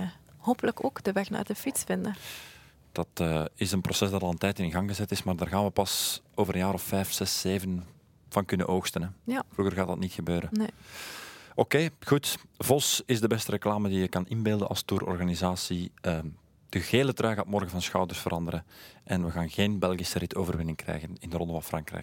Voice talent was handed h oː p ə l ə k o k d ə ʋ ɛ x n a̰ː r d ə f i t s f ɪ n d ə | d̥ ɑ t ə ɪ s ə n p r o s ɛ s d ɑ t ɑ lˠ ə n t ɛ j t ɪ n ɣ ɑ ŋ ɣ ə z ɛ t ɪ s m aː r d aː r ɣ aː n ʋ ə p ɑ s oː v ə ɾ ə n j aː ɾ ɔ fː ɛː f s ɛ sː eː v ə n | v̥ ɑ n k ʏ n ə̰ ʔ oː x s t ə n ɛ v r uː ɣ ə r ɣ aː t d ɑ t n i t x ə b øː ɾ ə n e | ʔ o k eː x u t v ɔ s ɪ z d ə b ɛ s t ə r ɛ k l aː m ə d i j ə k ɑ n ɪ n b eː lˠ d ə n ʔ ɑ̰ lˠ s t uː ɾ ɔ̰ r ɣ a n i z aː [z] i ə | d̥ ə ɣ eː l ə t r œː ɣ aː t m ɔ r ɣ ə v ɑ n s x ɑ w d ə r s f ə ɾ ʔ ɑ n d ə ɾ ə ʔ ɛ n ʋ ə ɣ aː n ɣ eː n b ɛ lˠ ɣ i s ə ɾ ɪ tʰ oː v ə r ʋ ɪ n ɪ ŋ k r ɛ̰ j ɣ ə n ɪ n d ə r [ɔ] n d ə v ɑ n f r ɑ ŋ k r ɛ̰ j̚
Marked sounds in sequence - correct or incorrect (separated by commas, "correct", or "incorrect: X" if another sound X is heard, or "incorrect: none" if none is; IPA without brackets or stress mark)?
incorrect: s, correct